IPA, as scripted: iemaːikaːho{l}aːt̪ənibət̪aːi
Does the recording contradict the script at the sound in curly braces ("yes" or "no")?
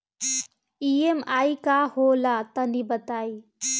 no